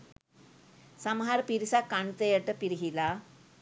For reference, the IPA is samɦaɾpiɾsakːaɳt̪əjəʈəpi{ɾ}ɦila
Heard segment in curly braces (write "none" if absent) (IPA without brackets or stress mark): ɾ